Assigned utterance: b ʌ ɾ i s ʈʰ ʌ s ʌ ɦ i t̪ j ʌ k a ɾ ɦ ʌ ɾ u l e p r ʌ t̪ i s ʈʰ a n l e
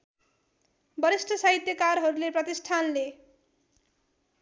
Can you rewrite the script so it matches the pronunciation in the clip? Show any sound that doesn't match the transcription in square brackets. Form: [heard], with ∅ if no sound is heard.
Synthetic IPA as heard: b ʌ ɾ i s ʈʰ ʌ s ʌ ɦ i t̪ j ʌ k a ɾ ɦ ʌ ɾ u l e p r ʌ t̪ i s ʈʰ a n l e